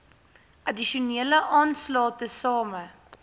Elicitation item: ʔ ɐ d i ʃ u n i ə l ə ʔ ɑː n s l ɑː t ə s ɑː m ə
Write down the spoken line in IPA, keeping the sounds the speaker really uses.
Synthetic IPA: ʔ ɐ d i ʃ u n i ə l ə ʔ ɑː n s l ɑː t ə s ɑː m ə